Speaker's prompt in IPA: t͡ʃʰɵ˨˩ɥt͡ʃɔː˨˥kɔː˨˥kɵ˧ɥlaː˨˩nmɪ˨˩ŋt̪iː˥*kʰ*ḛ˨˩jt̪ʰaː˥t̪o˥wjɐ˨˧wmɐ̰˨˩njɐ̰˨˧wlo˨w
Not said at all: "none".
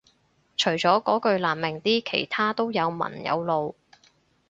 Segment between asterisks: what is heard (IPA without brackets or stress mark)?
kʰ